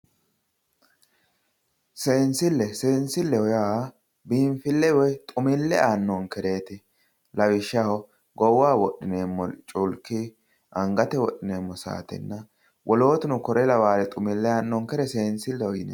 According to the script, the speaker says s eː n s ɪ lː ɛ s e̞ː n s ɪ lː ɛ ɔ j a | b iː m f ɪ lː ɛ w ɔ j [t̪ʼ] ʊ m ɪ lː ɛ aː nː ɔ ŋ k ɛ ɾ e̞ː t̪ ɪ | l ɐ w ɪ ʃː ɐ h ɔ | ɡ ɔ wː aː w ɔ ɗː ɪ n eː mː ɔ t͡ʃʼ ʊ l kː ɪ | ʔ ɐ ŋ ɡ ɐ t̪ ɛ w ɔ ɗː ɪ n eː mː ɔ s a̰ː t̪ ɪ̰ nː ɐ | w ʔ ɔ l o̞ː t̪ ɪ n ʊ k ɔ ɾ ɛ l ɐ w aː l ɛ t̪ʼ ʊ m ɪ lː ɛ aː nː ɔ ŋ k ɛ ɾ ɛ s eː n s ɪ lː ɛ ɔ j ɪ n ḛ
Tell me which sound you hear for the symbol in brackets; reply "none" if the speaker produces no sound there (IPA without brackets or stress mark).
t̪ʼ